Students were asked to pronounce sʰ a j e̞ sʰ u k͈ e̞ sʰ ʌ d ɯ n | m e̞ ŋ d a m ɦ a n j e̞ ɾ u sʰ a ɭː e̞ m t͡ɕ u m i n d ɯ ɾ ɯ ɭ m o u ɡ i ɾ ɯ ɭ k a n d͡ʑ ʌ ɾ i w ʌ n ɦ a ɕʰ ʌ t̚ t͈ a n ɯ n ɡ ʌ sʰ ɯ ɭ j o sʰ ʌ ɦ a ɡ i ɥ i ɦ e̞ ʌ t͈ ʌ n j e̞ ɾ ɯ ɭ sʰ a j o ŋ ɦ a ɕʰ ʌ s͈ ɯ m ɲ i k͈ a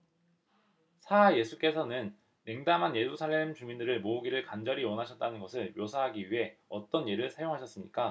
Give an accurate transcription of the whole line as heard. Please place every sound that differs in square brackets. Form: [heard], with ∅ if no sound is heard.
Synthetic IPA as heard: sʰ a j e̞ sʰ u k͈ e̞ sʰ ʌ [n] ɯ n | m e̞ ŋ d a m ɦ a n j e̞ ɾ u sʰ a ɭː e̞ m t͡ɕ u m i n d ɯ ɾ ɯ ɭ m o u ɡ i ɾ ɯ ɭ k a n d͡ʑ ʌ ɾ i w ʌ n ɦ a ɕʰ ʌ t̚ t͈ a n ɯ n ɡ ʌ sʰ ɯ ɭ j o sʰ [a] ɦ a ɡ i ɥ i ɦ e̞ ʌ t͈ ʌ n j e̞ ɾ ɯ ɭ sʰ a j o ŋ ɦ a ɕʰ ʌ s͈ ɯ m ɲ i k͈ a